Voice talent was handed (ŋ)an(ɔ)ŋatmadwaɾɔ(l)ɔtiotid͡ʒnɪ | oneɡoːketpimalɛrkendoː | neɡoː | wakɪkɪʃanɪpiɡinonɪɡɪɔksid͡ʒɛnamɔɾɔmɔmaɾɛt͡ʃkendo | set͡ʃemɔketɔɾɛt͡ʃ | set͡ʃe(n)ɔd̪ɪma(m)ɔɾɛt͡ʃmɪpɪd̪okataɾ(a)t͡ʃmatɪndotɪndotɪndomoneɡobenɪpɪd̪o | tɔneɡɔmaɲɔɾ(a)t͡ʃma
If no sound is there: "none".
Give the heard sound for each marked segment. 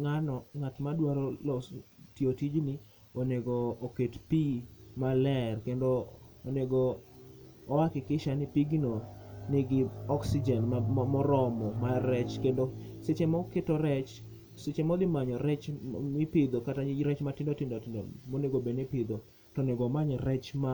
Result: ŋ, ɔ, l, m, ɲ, ɛ, ɛ

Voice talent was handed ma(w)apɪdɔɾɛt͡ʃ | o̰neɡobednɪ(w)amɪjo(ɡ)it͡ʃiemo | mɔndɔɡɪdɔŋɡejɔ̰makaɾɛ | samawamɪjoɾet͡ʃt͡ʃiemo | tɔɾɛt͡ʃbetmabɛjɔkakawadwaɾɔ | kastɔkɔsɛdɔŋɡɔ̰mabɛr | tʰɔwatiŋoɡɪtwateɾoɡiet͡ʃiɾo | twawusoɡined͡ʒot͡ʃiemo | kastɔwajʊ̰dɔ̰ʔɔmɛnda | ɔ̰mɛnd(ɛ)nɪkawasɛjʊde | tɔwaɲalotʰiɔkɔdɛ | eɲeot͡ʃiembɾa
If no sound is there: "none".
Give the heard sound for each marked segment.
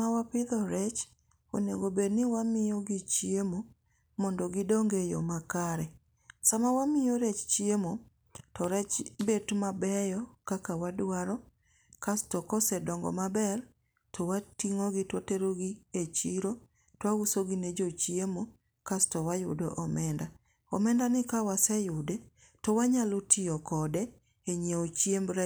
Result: w, w, ɡ, a

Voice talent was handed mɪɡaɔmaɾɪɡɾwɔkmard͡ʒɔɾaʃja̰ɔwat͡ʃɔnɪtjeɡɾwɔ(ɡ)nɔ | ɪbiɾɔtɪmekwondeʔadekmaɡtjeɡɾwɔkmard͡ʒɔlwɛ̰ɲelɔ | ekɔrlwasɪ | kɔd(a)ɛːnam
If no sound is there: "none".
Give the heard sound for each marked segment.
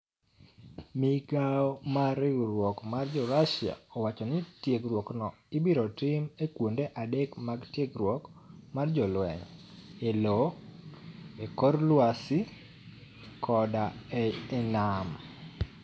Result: k, a

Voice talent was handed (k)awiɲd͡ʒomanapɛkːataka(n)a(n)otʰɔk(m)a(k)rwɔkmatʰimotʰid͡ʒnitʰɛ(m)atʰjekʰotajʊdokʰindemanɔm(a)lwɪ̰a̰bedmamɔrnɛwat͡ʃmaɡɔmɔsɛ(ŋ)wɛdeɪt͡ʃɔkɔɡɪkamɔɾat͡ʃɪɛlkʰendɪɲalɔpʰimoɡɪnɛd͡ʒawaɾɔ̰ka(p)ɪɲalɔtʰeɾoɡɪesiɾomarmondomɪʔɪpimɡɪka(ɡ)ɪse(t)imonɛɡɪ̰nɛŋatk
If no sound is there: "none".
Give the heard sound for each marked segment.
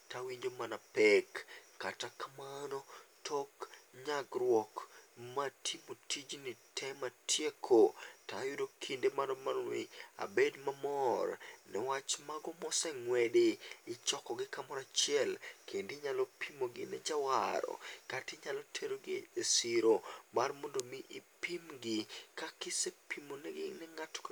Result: t, m, n, ɲ, ɡ, m, a, ŋ, t, k, p

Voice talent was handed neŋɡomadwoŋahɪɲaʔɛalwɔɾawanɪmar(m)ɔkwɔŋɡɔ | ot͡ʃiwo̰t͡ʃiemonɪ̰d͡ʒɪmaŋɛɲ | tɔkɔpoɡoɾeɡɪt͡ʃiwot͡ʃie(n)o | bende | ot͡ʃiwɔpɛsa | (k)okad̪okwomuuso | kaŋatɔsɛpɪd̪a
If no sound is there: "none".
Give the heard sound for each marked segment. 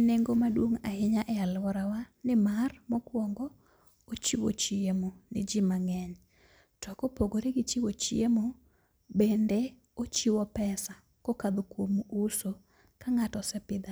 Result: m, m, k

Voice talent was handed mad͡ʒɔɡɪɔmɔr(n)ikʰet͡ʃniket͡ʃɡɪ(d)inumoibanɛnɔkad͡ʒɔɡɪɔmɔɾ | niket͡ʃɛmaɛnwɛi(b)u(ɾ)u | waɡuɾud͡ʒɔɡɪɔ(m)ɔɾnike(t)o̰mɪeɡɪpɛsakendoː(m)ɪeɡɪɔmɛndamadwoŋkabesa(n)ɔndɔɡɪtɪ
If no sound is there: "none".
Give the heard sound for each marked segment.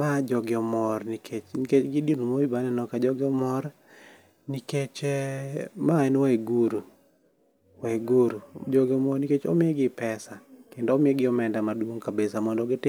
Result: n, d, ɡ, ɾ, m, t͡ʃ, m, m

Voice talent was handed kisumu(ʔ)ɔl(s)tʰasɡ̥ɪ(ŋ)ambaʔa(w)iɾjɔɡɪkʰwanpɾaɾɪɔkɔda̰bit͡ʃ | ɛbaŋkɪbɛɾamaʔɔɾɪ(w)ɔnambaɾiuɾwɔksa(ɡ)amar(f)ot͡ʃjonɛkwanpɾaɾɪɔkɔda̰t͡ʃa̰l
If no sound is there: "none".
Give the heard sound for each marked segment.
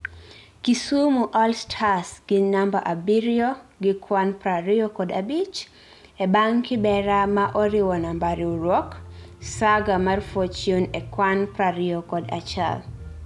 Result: ʔ, s, n, b, w, ɡ, f

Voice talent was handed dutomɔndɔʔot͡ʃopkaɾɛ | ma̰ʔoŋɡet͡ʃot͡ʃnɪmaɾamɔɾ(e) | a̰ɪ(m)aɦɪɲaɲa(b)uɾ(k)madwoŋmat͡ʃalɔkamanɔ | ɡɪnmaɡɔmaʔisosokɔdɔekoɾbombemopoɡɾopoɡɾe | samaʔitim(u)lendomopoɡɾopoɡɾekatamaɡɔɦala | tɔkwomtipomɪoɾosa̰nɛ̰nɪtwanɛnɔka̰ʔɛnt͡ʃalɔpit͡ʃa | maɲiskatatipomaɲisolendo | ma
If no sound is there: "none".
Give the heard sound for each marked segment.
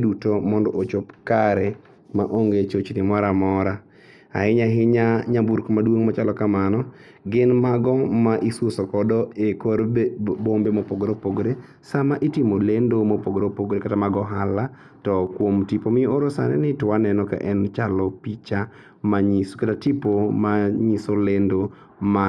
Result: a, ɲ, b, k, o

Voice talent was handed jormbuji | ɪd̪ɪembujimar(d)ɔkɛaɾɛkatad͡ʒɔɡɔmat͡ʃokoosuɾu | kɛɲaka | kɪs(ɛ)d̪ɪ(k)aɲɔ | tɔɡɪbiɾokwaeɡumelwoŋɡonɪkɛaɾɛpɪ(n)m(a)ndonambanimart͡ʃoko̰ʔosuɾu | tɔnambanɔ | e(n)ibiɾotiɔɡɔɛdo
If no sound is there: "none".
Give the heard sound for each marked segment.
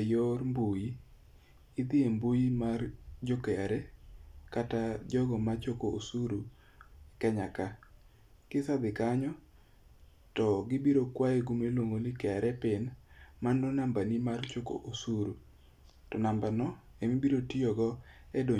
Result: d͡ʒ, a, k, n, a, m

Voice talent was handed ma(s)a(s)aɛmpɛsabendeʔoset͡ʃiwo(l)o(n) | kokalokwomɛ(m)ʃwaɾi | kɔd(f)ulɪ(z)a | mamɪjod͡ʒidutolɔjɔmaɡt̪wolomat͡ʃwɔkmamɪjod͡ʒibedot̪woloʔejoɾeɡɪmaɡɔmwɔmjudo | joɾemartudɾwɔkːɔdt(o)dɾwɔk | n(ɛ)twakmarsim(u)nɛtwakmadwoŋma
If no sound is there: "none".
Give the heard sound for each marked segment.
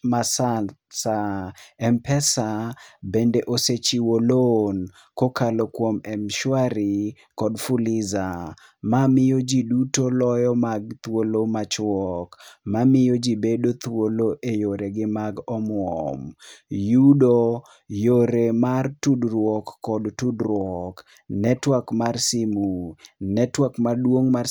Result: s, s, l, n, m, f, z, u, ɛ, u

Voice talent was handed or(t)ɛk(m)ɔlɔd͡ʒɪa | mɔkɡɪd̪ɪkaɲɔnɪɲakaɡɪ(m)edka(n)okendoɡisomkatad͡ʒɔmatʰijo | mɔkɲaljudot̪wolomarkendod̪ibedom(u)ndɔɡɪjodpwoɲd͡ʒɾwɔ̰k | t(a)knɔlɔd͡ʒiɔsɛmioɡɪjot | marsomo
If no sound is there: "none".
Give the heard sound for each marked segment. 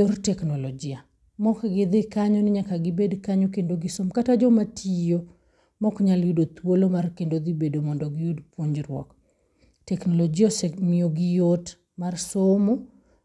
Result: t, n, b, ɲ, ɔ, ɛ

